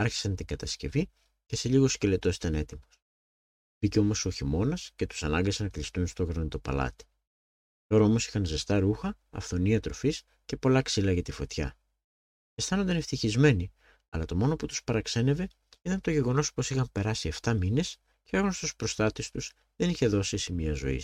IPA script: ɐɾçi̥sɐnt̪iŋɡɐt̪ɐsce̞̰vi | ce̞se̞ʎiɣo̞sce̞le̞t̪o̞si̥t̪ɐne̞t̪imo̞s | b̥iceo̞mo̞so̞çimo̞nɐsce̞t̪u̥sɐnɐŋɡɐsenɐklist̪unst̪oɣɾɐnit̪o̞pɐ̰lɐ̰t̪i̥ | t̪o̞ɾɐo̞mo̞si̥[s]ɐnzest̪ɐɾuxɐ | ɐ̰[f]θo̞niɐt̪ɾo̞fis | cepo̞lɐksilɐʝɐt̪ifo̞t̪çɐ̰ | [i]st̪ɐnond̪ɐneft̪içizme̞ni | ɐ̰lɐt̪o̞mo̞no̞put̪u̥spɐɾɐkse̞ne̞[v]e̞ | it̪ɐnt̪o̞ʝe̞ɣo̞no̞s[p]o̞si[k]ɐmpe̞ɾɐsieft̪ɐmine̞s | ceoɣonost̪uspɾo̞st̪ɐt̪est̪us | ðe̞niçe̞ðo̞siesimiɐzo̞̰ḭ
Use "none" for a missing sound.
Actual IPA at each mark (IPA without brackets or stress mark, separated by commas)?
x, f, e, v, p, x